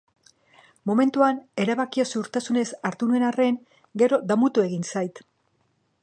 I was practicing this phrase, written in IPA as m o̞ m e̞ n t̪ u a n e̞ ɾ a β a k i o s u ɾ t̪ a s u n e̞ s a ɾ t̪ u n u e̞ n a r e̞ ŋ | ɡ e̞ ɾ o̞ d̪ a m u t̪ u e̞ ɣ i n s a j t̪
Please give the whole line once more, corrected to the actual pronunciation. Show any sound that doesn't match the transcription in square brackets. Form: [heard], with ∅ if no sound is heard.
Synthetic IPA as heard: m o̞ m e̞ n t̪ u a n e̞ ɾ a β a k i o s u ɾ t̪ a s u n e̞ s a ɾ t̪ u n u e̞ n a r e̞ ŋ | ɡ e̞ ɾ o̞ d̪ a m u t̪ u e̞ ɣ i n s a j t̪